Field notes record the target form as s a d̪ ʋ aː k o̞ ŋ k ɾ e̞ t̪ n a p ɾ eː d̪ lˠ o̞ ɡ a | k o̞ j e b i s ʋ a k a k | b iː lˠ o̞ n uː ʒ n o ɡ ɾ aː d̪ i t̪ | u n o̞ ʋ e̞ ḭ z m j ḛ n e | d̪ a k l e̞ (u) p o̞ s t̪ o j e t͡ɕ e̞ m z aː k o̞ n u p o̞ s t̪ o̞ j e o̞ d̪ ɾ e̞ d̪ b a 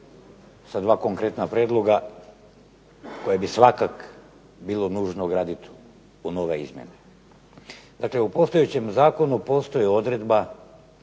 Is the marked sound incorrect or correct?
correct